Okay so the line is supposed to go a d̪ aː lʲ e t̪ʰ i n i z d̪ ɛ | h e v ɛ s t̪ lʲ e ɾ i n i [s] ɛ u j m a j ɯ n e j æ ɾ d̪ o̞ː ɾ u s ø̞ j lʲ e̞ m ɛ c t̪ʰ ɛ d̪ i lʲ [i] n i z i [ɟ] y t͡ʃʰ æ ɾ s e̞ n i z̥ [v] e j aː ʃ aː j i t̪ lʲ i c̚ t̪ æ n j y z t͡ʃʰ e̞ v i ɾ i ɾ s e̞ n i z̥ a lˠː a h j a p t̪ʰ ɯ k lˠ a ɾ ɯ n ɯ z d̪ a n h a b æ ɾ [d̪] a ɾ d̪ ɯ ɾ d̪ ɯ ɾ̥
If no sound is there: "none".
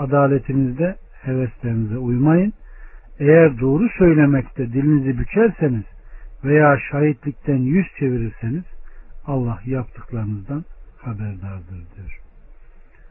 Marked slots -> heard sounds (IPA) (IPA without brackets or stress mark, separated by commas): z, i, b, v, d̪